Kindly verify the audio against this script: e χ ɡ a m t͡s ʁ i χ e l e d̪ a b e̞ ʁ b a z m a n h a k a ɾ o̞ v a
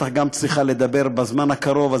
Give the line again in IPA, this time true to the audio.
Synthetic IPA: a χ ɡ a m t͡s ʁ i χ a l e d̪ a b e̞ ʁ b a z m a n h a k a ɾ o̞ v a